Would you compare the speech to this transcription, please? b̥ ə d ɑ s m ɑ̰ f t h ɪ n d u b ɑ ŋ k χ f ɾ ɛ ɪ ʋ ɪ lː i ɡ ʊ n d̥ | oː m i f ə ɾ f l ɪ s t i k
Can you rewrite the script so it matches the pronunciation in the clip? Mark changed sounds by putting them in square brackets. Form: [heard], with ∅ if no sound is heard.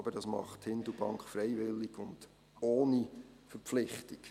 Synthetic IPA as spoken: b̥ ə d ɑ s m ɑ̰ [χ] t h ɪ n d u b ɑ ŋ k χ f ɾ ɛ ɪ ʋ ɪ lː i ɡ ʊ n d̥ | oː [n] i f ə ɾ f l ɪ [χ] t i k